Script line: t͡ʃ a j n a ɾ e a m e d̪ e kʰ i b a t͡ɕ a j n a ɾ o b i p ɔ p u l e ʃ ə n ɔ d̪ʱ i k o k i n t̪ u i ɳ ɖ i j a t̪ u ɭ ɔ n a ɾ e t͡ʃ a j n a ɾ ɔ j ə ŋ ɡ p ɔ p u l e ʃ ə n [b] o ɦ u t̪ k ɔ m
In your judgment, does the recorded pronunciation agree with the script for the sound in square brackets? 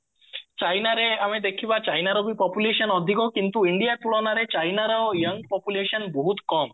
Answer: yes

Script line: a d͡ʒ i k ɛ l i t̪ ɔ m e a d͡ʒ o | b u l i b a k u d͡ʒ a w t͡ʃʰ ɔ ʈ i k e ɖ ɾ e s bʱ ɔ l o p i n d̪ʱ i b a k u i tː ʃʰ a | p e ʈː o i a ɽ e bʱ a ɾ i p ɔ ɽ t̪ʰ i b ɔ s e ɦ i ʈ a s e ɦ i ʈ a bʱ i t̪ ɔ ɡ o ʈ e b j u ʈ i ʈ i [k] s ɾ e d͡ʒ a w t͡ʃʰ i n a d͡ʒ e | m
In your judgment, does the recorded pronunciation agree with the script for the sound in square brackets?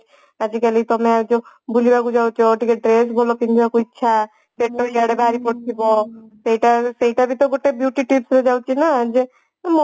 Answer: no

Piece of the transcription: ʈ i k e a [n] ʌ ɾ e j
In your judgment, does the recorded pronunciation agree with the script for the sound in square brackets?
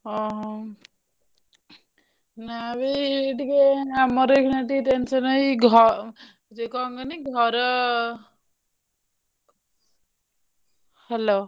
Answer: no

